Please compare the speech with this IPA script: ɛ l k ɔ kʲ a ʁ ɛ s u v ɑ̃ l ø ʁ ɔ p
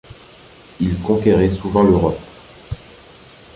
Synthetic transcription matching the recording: i l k ɔ̃ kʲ e ʁ ɛ s u v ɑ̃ l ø ʁ ɔ p